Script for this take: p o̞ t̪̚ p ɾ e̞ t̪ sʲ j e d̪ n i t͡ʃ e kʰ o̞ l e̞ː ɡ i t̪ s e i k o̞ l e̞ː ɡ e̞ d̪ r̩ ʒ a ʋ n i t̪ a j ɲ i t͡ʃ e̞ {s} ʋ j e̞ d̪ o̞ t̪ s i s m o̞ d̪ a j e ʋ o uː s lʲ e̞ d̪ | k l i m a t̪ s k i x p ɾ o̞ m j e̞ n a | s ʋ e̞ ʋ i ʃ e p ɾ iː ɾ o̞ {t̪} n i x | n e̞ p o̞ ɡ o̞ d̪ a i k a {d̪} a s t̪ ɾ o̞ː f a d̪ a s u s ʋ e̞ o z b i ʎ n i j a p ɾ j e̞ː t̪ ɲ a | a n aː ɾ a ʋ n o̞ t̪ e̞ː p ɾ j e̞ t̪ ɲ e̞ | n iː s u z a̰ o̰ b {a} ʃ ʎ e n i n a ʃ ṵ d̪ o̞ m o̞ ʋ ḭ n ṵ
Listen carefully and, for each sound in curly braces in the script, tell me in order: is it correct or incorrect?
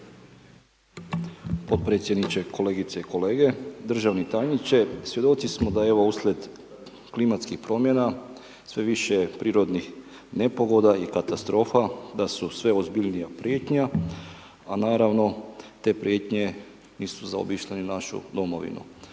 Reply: correct, incorrect: d̪, incorrect: t̪, incorrect: i

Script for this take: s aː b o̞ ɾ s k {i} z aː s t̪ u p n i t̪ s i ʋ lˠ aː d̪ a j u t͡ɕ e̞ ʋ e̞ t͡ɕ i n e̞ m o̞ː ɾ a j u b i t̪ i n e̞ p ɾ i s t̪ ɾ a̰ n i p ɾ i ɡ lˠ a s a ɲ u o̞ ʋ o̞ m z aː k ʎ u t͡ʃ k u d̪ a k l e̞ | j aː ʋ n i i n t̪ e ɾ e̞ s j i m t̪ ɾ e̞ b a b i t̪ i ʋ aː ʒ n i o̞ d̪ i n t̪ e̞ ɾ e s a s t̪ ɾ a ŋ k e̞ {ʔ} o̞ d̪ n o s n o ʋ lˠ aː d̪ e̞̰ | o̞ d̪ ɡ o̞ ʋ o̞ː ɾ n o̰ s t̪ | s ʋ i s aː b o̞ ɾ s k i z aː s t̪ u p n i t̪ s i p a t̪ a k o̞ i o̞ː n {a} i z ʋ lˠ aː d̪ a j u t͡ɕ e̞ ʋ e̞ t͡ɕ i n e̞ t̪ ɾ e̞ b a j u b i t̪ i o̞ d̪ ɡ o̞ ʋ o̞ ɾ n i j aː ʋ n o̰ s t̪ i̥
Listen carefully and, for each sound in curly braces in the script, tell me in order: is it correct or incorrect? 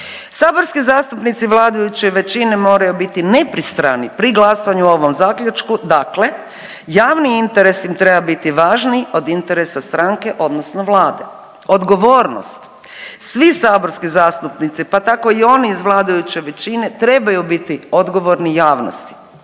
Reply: correct, correct, incorrect: i

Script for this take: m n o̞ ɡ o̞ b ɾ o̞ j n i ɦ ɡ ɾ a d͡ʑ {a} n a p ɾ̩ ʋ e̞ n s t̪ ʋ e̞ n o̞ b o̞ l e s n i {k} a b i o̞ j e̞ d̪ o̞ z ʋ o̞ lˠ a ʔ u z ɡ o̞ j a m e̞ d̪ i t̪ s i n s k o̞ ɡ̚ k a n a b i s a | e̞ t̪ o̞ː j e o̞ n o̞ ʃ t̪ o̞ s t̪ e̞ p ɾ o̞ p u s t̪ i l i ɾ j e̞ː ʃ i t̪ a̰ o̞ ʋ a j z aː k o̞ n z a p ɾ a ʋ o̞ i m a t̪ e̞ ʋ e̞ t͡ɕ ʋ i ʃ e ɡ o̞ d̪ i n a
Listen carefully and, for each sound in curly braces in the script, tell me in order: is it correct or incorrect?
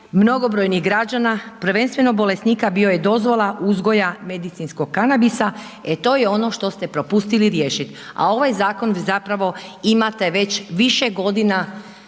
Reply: correct, correct

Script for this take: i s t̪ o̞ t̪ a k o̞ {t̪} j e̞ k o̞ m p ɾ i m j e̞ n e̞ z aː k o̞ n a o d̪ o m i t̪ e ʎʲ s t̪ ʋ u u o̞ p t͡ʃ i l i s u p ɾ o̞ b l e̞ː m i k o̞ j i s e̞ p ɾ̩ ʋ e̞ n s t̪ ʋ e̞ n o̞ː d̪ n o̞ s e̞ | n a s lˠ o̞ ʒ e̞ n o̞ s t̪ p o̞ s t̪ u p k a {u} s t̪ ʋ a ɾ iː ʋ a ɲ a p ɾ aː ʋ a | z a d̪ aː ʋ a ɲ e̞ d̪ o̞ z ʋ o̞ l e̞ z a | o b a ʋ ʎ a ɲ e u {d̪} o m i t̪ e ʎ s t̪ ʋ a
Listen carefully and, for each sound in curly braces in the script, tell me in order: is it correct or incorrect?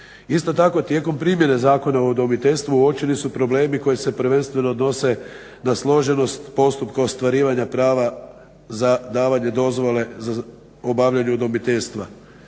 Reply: correct, incorrect: o, correct

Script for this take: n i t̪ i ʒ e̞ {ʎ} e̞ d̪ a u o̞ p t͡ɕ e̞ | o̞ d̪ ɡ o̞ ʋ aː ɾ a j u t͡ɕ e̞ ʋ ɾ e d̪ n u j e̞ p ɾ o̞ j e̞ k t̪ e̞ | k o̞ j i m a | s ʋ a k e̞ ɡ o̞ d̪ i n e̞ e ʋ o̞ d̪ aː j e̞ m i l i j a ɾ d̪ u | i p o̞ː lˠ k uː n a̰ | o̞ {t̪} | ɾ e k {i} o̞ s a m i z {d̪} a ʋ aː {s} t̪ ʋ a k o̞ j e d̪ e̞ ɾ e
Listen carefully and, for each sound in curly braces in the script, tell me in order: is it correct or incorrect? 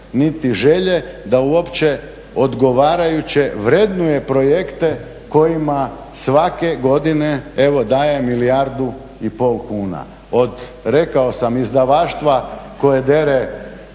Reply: correct, incorrect: d̪, incorrect: a, correct, incorrect: ʃ

